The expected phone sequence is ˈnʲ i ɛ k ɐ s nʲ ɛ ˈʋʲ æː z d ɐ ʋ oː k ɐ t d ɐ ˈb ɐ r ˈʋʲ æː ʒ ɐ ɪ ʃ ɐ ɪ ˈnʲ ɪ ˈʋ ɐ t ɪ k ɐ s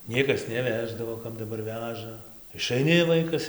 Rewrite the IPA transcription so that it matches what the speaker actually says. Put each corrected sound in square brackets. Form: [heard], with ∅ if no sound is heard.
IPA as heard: ˈnʲ i ɛ k ɐ s nʲ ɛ ˈʋʲ æː [ʒ] d ɐ ʋ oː k ɐ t d ɐ ˈb ɐ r ˈʋʲ æː ʒ ɐ ɪ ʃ ɐ ɪ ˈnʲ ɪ ˈʋ ɐ [∅] ɪ k ɐ s